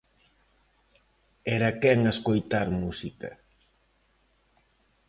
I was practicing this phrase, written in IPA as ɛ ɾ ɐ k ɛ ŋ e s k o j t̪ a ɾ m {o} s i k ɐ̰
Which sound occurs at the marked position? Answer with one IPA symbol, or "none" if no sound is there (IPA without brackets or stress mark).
u